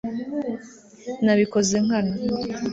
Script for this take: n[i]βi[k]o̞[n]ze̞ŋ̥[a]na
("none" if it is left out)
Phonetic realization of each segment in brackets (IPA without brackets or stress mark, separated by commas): a, k, none, a